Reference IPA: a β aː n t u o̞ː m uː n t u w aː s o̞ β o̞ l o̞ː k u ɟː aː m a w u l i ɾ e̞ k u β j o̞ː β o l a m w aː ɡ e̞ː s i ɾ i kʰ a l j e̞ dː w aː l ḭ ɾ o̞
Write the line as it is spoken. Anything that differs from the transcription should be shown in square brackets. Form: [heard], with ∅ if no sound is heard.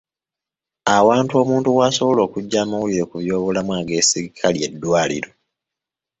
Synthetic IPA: a [w] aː n t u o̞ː m uː n t u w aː s o̞ β o̞ l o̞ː k u ɟː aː m a w u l i ɾ e̞ k u β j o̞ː β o l a m w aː ɡ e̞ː s i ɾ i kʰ a l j e̞ dː w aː l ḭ ɾ o̞